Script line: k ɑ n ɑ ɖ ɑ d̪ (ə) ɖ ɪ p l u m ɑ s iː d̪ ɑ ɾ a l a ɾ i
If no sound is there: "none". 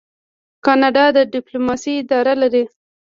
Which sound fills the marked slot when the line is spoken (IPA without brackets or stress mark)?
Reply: ə